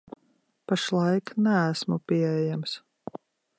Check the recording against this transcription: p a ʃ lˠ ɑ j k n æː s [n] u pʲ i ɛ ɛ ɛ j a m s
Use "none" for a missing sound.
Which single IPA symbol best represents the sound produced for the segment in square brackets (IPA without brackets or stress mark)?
m